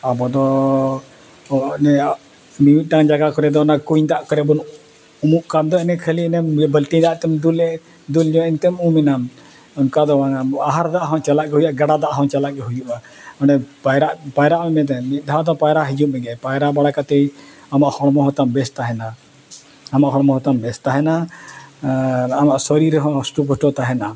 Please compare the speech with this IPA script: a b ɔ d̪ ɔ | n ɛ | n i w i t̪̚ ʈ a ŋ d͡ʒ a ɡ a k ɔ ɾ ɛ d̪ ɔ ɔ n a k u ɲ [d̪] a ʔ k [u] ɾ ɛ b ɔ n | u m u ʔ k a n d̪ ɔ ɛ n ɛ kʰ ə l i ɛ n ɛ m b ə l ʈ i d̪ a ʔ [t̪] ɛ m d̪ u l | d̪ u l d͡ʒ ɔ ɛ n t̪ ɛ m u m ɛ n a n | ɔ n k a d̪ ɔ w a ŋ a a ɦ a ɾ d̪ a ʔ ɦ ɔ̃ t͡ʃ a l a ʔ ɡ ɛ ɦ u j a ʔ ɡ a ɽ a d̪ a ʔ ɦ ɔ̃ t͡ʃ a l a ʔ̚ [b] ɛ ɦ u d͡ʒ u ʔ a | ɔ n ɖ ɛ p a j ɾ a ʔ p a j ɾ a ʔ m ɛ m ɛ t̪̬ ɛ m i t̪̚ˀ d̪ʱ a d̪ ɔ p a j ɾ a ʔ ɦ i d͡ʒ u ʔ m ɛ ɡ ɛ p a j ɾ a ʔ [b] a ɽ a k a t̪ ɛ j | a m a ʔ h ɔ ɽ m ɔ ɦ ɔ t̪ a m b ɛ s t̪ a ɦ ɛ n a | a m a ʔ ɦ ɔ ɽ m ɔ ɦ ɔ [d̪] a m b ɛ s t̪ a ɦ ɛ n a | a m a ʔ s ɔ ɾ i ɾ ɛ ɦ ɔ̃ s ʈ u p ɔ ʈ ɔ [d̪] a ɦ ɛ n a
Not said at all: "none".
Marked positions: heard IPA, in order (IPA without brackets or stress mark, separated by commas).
d̪, ɔ, t̪, ɡ, b, t̪, t̪